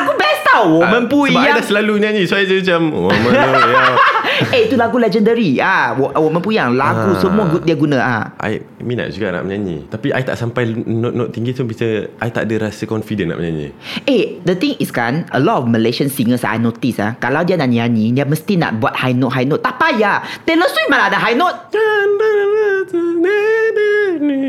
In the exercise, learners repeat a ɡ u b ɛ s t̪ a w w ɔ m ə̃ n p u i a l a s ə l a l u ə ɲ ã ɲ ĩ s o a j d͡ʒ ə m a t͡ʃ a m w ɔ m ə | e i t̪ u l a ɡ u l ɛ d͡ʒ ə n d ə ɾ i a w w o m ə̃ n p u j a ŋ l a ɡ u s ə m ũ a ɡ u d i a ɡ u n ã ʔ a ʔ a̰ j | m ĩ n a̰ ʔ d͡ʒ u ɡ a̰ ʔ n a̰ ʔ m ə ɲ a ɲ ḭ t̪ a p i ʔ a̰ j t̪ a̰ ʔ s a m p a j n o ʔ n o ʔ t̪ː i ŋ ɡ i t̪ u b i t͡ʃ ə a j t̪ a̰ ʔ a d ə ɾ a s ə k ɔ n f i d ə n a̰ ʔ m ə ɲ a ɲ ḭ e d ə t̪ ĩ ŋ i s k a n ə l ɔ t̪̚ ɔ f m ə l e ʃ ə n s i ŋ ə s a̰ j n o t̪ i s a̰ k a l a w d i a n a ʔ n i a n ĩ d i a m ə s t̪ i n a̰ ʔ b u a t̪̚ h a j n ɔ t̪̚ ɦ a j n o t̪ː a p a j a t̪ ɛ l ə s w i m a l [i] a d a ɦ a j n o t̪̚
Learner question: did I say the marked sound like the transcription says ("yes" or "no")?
no